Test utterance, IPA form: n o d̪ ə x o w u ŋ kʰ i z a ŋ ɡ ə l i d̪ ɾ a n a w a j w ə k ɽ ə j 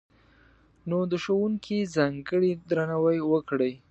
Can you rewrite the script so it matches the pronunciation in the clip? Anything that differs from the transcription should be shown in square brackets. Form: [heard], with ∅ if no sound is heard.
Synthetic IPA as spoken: n o d̪ ə [ʃ] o w u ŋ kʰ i z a ŋ ɡ ə [ɽ] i d̪ ɾ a n a w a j w ə k ɽ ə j